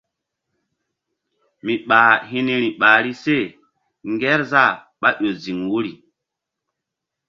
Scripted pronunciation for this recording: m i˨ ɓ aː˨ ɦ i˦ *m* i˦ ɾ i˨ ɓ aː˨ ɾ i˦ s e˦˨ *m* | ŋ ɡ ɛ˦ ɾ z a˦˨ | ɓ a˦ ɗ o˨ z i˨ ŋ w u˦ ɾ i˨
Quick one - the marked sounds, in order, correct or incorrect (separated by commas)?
incorrect, incorrect